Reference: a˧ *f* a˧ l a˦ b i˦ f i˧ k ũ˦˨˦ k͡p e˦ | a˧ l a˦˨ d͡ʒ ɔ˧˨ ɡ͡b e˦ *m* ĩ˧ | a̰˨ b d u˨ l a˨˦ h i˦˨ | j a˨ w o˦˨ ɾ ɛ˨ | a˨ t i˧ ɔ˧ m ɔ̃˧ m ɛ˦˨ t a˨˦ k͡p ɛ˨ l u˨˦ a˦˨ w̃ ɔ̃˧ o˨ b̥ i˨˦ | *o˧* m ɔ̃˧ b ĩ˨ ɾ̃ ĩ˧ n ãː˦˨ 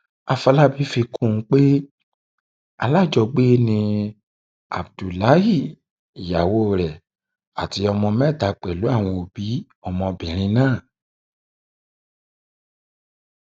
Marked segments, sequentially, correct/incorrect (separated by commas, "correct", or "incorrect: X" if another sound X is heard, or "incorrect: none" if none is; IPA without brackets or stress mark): correct, incorrect: n, incorrect: ɔ˧